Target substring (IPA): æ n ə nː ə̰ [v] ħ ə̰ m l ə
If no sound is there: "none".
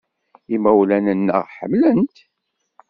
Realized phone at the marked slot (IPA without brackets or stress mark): ʁ